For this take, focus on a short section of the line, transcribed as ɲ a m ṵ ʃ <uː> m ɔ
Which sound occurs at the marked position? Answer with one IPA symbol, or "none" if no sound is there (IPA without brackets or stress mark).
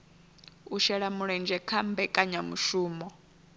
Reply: uː